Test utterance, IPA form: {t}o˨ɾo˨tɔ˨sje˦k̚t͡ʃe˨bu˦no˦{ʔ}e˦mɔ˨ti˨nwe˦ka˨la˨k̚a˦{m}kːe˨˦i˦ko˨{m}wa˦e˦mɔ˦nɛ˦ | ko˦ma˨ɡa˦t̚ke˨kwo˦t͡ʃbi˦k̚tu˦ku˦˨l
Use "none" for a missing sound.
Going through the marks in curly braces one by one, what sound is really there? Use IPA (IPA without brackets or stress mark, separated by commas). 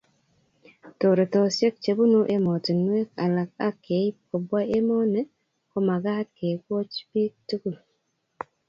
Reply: t, ʔ, none, b